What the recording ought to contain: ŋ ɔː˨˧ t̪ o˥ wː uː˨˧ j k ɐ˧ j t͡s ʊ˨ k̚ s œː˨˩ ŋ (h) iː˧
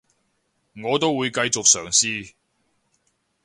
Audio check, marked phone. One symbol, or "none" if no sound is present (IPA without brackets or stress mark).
s